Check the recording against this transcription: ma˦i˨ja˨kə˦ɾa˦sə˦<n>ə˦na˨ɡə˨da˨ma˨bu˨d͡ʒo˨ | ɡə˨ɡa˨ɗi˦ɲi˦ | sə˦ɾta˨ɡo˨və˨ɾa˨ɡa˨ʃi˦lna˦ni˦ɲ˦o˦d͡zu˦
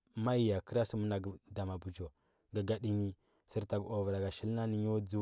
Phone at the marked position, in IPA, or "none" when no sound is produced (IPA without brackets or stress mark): m